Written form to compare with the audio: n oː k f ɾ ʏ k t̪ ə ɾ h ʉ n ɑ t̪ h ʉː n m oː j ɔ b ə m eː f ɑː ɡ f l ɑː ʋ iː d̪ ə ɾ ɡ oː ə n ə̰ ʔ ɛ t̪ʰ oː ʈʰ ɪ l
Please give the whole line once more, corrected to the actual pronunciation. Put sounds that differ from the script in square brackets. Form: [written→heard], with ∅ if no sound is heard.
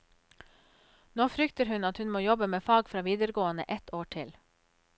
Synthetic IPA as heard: n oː [k→∅] f ɾ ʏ k t̪ ə ɾ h ʉ n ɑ t̪ h [ʉː→ʉ] n m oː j ɔ b ə m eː f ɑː ɡ f [l→ɾ] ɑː ʋ iː d̪ ə ɾ ɡ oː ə n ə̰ ʔ ɛ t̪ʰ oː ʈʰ ɪ l

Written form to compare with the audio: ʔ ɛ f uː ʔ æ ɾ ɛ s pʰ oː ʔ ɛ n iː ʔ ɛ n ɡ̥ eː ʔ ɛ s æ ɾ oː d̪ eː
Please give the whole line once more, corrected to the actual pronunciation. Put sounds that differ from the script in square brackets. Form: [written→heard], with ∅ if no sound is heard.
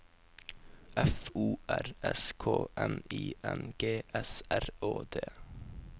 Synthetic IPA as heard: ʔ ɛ f uː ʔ æ ɾ ɛ s [pʰ→kʰ] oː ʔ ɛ n iː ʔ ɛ n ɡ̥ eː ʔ ɛ s æ ɾ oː d̪ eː

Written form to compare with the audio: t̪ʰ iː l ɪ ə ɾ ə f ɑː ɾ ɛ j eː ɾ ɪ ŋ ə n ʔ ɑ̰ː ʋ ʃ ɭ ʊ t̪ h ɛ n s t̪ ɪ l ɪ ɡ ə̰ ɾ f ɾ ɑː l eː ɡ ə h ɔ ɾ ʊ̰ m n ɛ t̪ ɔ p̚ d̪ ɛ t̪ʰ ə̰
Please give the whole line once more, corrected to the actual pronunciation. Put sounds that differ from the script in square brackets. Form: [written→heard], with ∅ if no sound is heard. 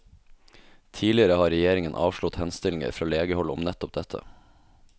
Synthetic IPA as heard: t̪ʰ iː l ɪ ə ɾ ə [f→h] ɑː ɾ ɛ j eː ɾ ɪ ŋ ə n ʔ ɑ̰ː ʋ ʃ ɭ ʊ t̪ h ɛ n s t̪ ɪ l ɪ [ɡ→ŋ] ə̰ ɾ f ɾ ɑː l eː ɡ ə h ɔ [ɾ→l] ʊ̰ m n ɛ t̪ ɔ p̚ d̪ ɛ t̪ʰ ə̰

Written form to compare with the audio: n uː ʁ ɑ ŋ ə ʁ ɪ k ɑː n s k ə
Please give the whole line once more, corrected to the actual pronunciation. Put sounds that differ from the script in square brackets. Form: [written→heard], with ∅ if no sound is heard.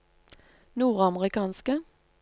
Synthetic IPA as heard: n uː ʁ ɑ [ŋ→m] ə ʁ ɪ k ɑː n s k ə

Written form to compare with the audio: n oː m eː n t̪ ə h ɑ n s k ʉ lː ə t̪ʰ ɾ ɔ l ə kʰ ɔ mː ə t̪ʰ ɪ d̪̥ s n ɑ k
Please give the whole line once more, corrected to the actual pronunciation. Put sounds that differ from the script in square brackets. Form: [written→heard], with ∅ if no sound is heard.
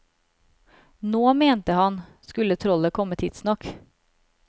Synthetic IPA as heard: n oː m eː n t̪ ə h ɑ n s k ʉ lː ə t̪ʰ ɾ ɔ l ə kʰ ɔ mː ə t̪ʰ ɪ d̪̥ s n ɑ k

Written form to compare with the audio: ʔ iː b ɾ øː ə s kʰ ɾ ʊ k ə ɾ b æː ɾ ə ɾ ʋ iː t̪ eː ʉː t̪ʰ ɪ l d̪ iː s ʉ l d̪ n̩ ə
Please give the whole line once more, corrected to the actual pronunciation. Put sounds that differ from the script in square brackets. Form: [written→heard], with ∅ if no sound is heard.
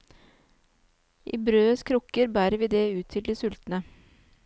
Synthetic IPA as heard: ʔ iː b ɾ øː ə s kʰ ɾ ʊ k ə ɾ b æː ɾ ə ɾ ʋ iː [t̪→d̪] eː ʉː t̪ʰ ɪ l d̪ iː s ʉ l [d̪→t̪] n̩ ə

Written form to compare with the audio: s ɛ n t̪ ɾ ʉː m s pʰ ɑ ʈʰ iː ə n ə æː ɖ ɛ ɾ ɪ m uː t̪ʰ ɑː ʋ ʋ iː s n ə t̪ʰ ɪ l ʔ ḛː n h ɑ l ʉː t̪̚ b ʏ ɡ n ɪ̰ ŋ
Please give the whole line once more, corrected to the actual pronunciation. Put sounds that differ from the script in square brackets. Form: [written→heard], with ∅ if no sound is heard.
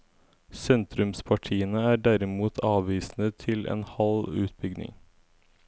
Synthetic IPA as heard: s ɛ n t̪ ɾ [ʉː→ʉ] m s pʰ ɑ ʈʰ iː ə n ə æː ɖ [ɛ→æ] ɾ ɪ m uː t̪ʰ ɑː ʋ ʋ iː s n ə t̪ʰ ɪ l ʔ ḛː n h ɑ l ʉː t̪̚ b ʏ ɡ n ɪ̰ ŋ

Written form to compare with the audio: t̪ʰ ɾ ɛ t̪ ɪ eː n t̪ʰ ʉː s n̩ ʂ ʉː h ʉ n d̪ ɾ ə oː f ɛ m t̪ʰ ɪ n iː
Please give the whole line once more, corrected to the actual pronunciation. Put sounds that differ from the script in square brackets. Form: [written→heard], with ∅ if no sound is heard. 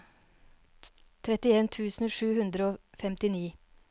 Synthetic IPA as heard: t̪ʰ ɾ ɛ t̪ ɪ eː n t̪ʰ ʉː s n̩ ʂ ʉː h ʉ n d̪ ɾ ə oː f ɛ m [t̪ʰ→t̪] ɪ n iː

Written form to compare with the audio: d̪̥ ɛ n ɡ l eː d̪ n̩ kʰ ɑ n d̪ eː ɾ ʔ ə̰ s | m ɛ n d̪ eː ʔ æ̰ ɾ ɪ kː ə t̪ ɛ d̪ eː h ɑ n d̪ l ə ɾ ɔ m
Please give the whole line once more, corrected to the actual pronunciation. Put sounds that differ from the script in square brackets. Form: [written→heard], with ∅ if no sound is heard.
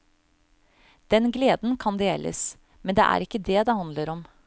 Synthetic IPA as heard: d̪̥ ɛ n ɡ l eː d̪ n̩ kʰ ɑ n d̪ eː [ɾ→l] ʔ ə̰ s | m ɛ n d̪ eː ʔ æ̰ ɾ ɪ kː ə [t̪→d̪] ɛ d̪ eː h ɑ n d̪ l ə ɾ ɔ m

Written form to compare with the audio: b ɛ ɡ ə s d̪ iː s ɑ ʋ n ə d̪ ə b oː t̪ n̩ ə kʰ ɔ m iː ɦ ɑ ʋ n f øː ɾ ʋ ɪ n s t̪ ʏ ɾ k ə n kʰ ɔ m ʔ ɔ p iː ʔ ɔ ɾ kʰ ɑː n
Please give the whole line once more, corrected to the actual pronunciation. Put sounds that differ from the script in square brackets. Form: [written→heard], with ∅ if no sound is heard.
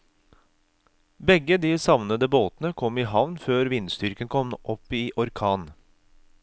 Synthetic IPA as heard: b ɛ ɡ ə [s→∅] d̪ iː s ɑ ʋ n ə d̪ ə b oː t̪ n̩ ə kʰ ɔ m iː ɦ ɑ ʋ n f øː ɾ ʋ ɪ n s t̪ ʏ ɾ k ə n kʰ ɔ m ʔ ɔ p iː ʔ ɔ ɾ kʰ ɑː n

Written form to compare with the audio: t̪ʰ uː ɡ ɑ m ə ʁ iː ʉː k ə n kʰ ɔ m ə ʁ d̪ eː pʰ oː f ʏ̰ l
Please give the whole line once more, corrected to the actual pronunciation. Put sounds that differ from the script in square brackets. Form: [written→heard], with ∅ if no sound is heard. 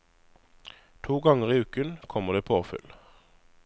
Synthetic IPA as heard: t̪ʰ uː ɡ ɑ [m→ŋ] ə ʁ iː ʉː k ə n kʰ ɔ m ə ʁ d̪ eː pʰ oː f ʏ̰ l

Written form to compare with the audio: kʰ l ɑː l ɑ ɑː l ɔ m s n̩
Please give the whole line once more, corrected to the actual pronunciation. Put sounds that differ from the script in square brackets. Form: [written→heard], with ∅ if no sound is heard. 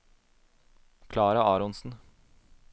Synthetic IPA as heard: kʰ l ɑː [l→ɾ] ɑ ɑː [l→ɾ] ɔ [m→n] s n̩

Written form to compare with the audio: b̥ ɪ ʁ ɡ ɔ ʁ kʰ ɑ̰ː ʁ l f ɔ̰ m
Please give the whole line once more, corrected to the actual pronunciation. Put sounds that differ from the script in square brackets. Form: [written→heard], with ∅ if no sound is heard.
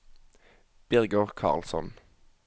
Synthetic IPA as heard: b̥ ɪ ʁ ɡ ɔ ʁ kʰ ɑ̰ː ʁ l [f→s] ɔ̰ [m→n]

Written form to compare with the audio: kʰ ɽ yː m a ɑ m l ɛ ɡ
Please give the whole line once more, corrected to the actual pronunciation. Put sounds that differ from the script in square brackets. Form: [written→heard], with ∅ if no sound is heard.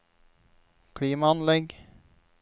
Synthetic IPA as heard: kʰ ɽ [yː→iː] m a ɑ [m→n] l ɛ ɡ

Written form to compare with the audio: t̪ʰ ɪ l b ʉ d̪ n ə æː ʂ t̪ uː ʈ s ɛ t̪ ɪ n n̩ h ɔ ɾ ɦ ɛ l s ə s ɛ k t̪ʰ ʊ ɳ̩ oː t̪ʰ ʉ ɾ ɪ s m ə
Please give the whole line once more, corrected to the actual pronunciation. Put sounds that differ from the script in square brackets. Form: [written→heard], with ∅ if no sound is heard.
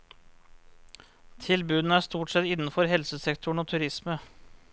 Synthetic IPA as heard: t̪ʰ ɪ l b [ʉ→ʉː] d̪ n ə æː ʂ t̪ uː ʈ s ɛ t̪ ɪ n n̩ [h→f] ɔ ɾ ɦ ɛ l s ə s ɛ k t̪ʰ ʊ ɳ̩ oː t̪ʰ ʉ ɾ ɪ s m ə

